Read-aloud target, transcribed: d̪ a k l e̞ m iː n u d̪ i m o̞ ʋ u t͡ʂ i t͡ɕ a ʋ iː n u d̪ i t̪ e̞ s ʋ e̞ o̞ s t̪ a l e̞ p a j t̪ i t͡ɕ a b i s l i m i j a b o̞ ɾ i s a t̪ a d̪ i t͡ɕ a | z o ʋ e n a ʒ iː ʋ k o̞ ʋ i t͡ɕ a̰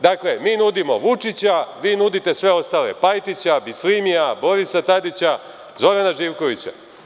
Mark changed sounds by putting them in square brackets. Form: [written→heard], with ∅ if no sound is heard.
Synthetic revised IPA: d̪ a k l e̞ m iː n u d̪ i m o̞ ʋ u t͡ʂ i t͡ɕ a ʋ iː n u d̪ i t̪ e̞ s ʋ e̞ o̞ s t̪ a l e̞ p a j t̪ i t͡ɕ a b i s l i m i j a b o̞ ɾ i s a t̪ a d̪ i t͡ɕ a | z o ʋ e n a ʒ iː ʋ k o̞ ʋ i t͡ɕ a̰